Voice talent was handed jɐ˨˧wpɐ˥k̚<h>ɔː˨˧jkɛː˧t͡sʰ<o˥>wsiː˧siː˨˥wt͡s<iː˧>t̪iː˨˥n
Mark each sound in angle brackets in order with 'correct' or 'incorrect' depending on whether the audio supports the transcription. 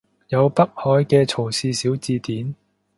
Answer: correct, incorrect, correct

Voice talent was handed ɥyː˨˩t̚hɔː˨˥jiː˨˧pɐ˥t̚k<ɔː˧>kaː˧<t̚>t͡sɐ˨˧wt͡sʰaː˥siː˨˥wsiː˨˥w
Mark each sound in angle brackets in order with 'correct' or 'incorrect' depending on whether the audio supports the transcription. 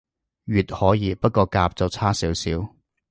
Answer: correct, incorrect

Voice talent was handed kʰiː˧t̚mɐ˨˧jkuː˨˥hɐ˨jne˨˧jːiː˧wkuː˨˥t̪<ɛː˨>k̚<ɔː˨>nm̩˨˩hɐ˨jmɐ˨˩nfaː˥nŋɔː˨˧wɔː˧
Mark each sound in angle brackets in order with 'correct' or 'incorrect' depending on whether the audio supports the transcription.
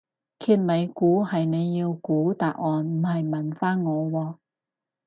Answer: incorrect, correct

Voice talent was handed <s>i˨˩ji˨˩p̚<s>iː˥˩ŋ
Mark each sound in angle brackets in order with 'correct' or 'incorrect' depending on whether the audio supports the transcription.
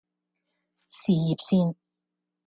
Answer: correct, correct

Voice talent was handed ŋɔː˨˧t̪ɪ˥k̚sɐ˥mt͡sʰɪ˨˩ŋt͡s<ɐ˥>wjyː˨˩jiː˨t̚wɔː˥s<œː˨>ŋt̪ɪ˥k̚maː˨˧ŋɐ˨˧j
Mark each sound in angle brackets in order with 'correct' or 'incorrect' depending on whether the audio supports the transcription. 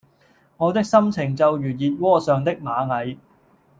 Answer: incorrect, correct

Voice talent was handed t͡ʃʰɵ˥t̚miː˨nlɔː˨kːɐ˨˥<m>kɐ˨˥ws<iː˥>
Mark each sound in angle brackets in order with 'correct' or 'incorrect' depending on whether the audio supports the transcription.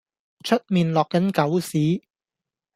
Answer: incorrect, incorrect

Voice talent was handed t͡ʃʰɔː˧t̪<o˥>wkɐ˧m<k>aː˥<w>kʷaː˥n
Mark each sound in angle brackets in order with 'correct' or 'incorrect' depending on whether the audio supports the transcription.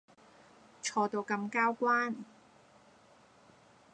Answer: incorrect, correct, correct

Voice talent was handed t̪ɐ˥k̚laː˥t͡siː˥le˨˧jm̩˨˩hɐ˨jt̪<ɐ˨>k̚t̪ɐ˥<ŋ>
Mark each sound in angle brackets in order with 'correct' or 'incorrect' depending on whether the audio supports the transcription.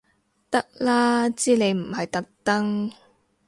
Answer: incorrect, correct

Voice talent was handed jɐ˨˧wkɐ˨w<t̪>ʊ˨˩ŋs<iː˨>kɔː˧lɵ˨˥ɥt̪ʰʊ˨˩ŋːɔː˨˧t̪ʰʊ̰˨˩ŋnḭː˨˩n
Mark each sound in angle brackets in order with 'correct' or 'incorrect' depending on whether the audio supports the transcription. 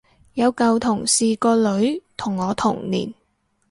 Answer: incorrect, correct

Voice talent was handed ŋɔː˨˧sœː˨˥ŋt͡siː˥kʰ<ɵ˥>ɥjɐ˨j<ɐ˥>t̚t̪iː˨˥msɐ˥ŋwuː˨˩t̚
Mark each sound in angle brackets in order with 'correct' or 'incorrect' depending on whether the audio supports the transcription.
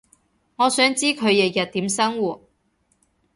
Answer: incorrect, incorrect

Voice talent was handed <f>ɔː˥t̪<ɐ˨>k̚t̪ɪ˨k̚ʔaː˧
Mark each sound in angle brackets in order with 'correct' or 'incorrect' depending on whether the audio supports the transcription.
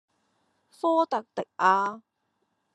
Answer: correct, correct

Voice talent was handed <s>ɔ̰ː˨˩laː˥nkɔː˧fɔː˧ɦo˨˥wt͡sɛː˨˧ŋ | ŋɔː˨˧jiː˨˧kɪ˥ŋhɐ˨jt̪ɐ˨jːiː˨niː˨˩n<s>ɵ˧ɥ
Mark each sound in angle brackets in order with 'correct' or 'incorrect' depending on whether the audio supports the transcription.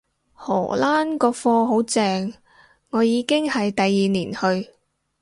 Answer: incorrect, incorrect

